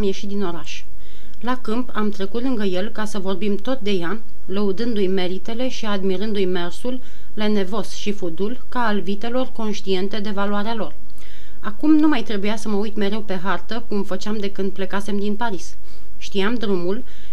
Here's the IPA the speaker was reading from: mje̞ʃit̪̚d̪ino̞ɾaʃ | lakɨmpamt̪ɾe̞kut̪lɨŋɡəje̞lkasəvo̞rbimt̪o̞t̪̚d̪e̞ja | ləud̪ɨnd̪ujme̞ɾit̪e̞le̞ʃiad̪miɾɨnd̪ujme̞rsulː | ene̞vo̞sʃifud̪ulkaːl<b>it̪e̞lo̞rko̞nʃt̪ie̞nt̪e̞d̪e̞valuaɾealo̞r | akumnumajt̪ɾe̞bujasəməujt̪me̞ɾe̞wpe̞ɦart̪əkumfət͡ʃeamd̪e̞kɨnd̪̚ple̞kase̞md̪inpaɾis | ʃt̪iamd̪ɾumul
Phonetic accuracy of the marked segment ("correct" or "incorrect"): incorrect